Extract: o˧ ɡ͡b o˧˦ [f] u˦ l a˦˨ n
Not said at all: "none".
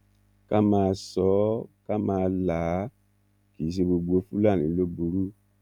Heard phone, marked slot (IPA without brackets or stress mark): f